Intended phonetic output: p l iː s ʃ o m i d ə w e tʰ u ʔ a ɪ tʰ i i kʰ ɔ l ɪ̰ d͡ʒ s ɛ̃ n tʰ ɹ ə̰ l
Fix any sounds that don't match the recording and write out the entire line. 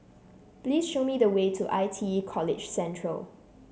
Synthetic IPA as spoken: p l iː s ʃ o m i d ə w e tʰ u ʔ a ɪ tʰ i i kʰ ɔ l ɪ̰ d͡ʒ s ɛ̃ n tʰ ɹ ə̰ l